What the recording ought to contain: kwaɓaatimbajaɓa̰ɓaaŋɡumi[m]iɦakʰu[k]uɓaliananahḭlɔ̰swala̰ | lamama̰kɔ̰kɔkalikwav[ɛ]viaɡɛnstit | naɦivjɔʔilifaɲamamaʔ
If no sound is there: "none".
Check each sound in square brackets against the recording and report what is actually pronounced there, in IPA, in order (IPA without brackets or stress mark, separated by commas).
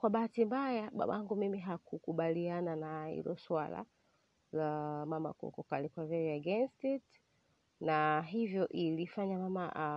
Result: m, k, ɛ